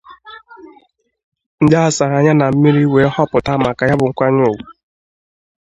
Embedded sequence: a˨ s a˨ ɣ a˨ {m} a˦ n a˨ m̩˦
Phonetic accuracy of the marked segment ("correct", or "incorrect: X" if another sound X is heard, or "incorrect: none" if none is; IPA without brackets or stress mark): incorrect: ɲ